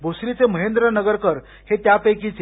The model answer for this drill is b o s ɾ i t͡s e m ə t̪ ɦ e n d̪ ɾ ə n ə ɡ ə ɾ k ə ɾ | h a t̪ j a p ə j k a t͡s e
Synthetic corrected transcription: b o s ɾ i t͡s e m ə ɦ e n d̪ ɾ ə n ə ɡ ə ɾ k ə ɾ | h e t̪ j a p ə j k i t͡s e